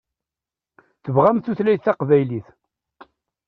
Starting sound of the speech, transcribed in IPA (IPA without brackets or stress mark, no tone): θ